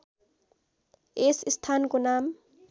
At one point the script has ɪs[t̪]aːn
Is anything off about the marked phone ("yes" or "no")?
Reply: yes